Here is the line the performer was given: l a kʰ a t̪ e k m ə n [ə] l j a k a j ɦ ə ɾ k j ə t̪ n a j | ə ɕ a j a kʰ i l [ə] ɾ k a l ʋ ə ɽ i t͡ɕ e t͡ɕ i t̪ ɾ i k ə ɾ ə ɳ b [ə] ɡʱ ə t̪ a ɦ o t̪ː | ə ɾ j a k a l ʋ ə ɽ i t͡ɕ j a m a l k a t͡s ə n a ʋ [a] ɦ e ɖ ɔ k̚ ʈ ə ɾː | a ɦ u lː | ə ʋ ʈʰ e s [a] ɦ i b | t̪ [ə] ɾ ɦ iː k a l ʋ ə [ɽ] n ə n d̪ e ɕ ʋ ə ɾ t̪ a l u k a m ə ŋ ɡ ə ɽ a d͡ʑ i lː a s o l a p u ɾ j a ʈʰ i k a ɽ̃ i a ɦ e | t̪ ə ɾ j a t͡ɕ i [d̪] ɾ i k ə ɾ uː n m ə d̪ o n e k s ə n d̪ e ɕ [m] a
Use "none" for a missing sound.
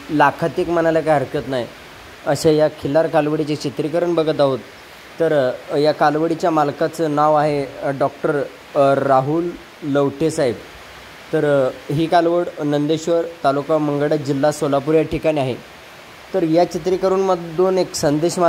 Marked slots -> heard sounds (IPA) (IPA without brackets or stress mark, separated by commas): a, a, ə, a, a, ə, ɽ, t̪, m